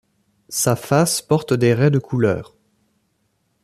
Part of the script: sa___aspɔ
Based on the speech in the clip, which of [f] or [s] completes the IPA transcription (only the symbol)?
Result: f